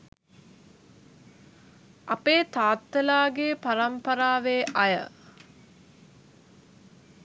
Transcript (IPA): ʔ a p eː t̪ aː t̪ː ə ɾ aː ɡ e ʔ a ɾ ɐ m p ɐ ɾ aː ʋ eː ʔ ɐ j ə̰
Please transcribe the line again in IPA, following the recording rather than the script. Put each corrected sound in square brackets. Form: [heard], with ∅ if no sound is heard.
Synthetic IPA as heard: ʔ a p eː t̪ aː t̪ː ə [l] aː ɡ e [p] a ɾ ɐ m p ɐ ɾ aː ʋ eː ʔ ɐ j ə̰

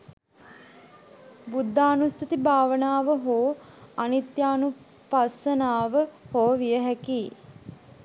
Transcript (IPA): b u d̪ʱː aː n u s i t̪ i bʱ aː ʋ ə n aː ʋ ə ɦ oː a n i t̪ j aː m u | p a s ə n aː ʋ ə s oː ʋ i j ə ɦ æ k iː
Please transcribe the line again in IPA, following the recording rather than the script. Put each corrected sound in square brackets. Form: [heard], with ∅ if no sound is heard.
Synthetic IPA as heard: b u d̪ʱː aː n u s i t̪ i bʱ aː ʋ ə n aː ʋ ə ɦ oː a n i t̪ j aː [n] u | p a s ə n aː ʋ ə [h] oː ʋ i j ə ɦ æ k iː

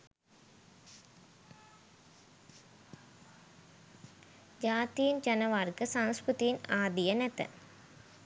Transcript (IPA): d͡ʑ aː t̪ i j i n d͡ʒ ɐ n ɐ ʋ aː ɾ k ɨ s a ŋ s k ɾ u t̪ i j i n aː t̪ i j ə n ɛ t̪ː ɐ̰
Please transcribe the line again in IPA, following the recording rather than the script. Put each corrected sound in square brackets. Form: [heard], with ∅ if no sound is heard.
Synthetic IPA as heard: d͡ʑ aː t̪ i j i n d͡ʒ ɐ n ɐ ʋ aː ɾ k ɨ s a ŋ s k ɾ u t̪ i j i n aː [d̪] i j [ɐ] n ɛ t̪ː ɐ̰

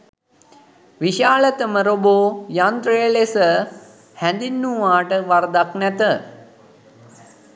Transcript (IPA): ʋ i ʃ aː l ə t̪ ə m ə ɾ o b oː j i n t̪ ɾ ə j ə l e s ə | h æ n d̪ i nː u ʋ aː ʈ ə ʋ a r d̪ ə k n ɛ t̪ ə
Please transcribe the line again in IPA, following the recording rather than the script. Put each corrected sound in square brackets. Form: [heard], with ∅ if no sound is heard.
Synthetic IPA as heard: ʋ i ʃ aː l ə t̪ ə m ə ɾ o b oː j [a] n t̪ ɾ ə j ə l e s ə | h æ n d̪ i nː u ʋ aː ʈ ə ʋ a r d̪ [a] k n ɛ t̪ ə

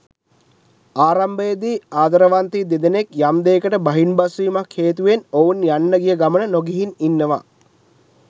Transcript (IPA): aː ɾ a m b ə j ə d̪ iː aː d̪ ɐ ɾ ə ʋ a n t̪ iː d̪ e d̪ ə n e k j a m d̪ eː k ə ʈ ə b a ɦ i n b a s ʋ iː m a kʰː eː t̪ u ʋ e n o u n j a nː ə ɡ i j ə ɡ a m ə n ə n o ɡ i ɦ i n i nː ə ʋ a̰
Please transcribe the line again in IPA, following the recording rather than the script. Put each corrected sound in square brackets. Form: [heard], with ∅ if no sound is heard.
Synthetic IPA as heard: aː ɾ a m b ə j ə d̪ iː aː d̪ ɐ ɾ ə ʋ a n t̪ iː d̪ e d̪ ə n e k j a m d̪ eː k ə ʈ ə b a ɦ i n b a s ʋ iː m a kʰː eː t̪ u ʋ e n o u n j a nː ə ɡ i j ə ɡ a m ə n ə n o ɡ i ɦ i n i nː ə ʋ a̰

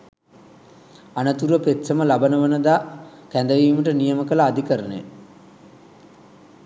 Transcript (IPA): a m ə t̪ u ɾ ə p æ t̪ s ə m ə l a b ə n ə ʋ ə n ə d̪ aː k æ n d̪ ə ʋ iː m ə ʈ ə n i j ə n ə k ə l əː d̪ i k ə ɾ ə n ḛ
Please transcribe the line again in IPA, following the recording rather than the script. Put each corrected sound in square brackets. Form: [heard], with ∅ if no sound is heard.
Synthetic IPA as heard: a [n] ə t̪ u ɾ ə p [e] t̪ s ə m ə l a b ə n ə ʋ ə n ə d̪ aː k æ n d̪ ə ʋ iː m ə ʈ ə n i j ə [m] ə k ə l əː d̪ i k ə ɾ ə n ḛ

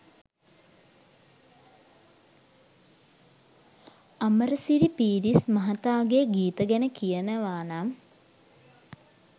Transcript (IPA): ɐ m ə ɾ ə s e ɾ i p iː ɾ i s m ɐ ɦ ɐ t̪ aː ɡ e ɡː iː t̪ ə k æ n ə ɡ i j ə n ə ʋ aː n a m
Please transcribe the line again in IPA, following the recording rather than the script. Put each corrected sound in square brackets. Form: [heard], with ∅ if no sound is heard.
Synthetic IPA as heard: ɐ m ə ɾ ə s [i] ɾ i p iː ɾ i s m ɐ ɦ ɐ t̪ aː ɡ e [ɡ] iː t̪ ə [ɡ] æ n ə [k] i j ə n ə ʋ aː n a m

